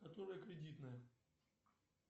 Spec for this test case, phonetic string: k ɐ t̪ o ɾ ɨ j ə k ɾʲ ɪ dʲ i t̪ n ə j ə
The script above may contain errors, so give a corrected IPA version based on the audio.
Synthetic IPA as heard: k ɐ t̪ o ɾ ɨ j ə k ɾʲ ɪ dʲ i t̪ n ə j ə

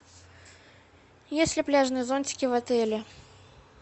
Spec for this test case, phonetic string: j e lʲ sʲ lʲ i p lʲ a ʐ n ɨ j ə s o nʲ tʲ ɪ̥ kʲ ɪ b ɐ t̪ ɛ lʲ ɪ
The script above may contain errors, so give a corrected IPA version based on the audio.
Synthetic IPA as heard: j e sʲ lʲ ɪ p lʲ a ʐ n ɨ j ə z o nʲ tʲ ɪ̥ kʲ ɪ v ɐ t̪ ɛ lʲ ɪ

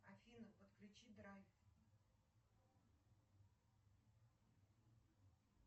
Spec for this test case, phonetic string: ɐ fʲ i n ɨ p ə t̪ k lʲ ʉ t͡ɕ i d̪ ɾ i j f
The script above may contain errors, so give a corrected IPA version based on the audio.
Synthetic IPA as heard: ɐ fʲ i n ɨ p ə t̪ k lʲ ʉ t͡ɕ i d̪ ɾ a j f

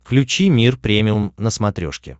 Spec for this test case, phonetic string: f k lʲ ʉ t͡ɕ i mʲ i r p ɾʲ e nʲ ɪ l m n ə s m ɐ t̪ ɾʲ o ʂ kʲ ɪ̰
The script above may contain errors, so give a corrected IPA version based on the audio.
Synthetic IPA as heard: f k lʲ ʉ t͡ɕ i mʲ i r p ɾʲ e mʲ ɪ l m n ə s m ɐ t̪ ɾʲ o ʂ kʲ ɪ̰

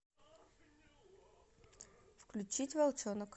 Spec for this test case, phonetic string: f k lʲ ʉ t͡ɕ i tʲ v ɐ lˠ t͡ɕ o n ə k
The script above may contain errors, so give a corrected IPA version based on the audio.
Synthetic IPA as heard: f k lʲ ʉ t͡ɕ i tʲ v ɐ lˠ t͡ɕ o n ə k

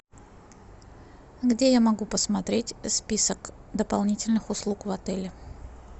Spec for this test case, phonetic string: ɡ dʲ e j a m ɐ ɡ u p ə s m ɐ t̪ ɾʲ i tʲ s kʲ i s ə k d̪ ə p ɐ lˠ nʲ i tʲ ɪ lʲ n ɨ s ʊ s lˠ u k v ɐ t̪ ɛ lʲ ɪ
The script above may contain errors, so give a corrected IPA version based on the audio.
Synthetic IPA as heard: ɡ dʲ e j a m ɐ ɡ u p ə s m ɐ t̪ ɾʲ e tʲ s pʲ i s ə k d̪ ə p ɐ lˠ nʲ i tʲ ɪ lʲ n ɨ x ʊ s lˠ u k v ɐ t̪ ɛ lʲ ɪ

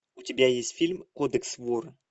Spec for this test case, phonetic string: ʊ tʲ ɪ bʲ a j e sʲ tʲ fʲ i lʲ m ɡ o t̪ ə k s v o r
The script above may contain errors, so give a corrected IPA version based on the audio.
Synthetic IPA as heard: ʊ tʲ ɪ bʲ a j e sʲ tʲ fʲ i lʲ m k o d̪ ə k s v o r

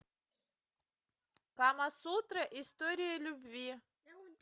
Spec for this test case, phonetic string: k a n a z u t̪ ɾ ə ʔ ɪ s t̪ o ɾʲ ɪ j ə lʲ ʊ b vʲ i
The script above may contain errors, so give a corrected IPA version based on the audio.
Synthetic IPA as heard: k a m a s u t̪ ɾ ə ʔ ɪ s t̪ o ɾʲ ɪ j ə lʲ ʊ b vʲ i

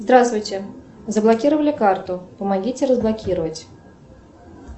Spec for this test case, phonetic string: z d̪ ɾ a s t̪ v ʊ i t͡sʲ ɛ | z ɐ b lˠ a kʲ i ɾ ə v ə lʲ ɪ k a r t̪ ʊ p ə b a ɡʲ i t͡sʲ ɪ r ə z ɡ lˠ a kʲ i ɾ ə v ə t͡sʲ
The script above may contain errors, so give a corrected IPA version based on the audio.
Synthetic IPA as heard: z d̪ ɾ a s t̪ v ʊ j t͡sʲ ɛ | z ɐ b lˠ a kʲ i ɾ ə v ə lʲ ɪ k a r t̪ ʊ p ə m a ɡʲ i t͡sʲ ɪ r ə z b lˠ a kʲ i ɾ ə v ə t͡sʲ

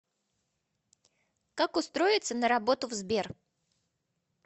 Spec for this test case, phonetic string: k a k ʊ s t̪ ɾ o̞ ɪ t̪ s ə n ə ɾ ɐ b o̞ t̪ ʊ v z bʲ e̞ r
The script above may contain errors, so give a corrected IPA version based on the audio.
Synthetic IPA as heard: k a k ʊ s t̪ ɾ o̞ ɪ t̪ s ə n ə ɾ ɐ b o̞ t̪ ʊ v z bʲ e̞ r

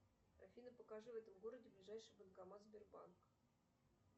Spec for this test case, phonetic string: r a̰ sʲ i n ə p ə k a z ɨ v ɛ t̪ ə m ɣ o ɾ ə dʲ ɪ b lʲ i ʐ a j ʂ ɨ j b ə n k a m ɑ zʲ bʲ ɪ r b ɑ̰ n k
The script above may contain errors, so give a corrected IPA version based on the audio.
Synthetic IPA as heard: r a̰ fʲ i n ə p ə k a ʐ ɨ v ɛ t̪ ə m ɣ o ɾ ə dʲ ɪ b lʲ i ʐ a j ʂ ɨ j b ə n k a m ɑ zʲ bʲ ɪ r b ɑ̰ n k

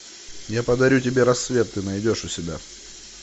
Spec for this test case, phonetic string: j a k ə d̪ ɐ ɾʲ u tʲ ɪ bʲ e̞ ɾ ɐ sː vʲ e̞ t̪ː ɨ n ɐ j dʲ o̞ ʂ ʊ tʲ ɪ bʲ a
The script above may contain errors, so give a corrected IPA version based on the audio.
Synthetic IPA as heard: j a p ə d̪ ɐ ɾʲ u tʲ ɪ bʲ e̞ ɾ ɐ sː vʲ e̞ t̪ː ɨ n ɐ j dʲ o̞ ʂ ʊ sʲ ɪ bʲ a

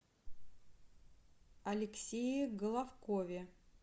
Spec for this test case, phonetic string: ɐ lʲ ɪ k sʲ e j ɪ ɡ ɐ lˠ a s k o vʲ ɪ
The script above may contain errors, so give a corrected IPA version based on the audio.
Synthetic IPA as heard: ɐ lʲ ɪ k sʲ e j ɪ ɡ ə lˠ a f k o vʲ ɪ

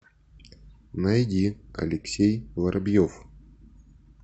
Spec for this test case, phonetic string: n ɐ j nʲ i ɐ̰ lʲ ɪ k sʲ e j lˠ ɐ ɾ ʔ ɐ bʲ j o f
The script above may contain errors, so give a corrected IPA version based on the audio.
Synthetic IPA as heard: n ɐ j dʲ i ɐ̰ lʲ ɪ k sʲ e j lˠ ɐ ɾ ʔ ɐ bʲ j o f

